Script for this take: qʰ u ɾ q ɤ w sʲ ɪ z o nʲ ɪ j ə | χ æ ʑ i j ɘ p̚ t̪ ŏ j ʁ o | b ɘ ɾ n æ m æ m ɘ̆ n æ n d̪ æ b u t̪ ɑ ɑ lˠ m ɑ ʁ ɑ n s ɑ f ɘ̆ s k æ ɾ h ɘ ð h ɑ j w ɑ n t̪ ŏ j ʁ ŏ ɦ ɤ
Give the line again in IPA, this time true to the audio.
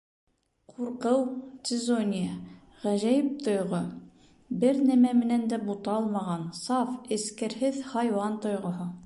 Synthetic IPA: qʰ u ɾ q ɤ w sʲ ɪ z o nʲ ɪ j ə | ʁ æ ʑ æ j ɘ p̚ t̪ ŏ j ʁ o | b ɘ ɾ n æ m æ m ɘ̆ n æ n d̪ æ b u t̪ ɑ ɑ lˠ m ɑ ʁ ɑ n s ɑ f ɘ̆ s k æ ɾ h ɘ ð h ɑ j w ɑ n t̪ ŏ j ʁ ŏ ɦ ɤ